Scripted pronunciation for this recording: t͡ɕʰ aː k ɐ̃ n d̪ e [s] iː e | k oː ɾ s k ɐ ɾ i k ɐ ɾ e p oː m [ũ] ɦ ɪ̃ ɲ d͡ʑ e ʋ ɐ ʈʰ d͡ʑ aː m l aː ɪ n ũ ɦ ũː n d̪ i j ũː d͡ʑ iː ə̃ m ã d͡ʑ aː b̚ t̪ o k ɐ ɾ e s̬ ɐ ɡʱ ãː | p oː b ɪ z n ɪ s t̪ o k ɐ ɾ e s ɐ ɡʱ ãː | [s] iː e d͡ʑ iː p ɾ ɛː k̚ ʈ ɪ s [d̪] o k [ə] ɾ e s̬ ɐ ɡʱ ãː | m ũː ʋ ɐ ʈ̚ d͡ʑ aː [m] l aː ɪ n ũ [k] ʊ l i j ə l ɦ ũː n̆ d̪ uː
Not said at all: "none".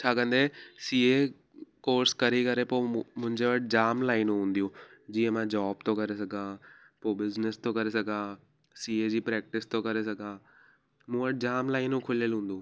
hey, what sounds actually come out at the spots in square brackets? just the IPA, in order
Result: s, ʊ̃, s, t̪, ɐ, m, kʰ

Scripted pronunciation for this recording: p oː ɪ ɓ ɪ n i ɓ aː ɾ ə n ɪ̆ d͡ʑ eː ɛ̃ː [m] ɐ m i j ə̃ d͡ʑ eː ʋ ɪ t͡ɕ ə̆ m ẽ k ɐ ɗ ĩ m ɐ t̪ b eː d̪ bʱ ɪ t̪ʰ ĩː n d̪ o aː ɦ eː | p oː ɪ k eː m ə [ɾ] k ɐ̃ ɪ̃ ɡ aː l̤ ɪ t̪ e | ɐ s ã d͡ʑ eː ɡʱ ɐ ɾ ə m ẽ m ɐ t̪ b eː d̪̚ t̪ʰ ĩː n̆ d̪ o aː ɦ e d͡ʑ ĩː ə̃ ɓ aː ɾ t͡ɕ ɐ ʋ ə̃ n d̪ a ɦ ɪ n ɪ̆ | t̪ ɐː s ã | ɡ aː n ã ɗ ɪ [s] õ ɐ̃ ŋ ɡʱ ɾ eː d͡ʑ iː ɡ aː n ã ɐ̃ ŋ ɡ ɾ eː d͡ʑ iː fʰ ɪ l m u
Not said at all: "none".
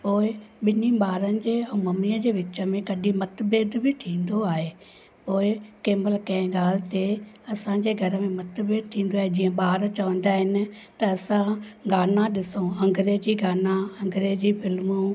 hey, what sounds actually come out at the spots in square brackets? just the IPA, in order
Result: m, l, s

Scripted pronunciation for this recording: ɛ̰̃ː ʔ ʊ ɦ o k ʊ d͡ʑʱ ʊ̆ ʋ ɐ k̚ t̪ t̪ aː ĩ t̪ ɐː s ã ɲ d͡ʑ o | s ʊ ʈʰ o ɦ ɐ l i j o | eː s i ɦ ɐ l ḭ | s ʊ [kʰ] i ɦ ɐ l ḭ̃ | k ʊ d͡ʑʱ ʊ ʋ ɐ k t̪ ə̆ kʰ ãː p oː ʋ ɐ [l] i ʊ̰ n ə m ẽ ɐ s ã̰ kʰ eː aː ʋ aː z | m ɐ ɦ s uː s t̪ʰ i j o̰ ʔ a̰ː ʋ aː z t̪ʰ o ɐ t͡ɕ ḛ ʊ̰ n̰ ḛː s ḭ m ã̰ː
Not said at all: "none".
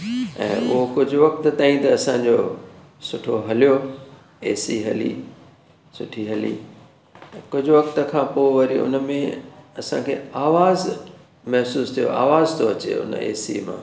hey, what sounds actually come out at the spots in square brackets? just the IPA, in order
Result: ʈʰ, ɾ

